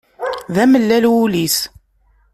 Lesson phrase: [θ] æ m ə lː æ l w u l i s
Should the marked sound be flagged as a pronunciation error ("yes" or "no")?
yes